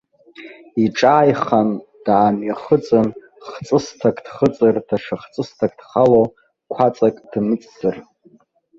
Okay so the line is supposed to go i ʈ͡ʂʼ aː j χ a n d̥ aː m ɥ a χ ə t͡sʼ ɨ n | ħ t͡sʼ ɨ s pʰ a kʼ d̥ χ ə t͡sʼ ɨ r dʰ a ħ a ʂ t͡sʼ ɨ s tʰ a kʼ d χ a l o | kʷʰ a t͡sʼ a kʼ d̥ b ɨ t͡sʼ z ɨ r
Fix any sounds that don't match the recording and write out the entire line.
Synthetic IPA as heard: i ʈ͡ʂʼ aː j χ a n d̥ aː m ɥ a χ ə t͡sʼ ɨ n | χ t͡sʼ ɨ s tʰ a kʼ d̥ χ ə t͡sʼ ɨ r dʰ a ʂ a χ t͡sʼ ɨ s tʰ a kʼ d χ a l o | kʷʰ a t͡sʼ a kʼ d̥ m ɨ t͡sʼ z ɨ r